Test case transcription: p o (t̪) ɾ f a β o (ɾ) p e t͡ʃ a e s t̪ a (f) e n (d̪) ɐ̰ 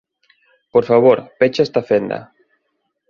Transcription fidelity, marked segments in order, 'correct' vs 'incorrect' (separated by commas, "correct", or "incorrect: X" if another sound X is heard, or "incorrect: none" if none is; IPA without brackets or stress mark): incorrect: none, correct, correct, correct